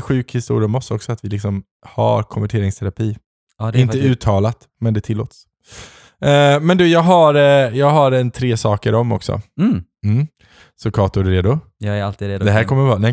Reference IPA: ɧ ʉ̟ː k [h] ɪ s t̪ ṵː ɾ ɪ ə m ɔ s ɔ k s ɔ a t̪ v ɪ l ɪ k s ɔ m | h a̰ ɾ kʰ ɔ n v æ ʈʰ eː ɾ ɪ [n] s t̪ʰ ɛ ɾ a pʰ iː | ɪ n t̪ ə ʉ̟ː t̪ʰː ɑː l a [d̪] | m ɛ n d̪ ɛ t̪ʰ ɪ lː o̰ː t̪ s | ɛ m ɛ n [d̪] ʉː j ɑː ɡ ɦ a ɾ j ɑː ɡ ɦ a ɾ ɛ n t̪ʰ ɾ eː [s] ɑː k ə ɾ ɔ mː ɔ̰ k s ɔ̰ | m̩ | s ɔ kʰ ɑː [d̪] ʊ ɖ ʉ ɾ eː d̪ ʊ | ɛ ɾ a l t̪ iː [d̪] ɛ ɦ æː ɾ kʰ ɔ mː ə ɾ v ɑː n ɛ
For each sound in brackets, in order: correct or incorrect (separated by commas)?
correct, incorrect, incorrect, correct, correct, incorrect, correct